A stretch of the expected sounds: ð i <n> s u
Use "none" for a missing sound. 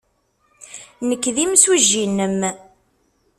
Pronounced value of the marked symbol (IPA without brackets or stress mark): m